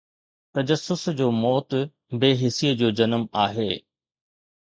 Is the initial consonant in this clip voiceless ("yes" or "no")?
yes